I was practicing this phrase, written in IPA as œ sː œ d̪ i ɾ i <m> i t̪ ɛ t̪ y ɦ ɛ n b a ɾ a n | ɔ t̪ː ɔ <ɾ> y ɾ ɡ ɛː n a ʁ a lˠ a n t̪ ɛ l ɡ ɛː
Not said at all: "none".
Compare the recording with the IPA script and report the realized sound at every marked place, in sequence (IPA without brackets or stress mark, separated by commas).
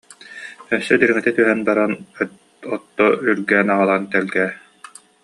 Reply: ŋ, none